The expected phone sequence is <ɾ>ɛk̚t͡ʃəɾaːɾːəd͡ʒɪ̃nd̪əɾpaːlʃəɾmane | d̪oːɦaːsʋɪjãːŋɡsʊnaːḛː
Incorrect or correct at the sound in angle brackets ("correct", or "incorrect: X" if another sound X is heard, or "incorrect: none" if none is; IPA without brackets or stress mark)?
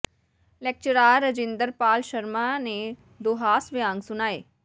incorrect: l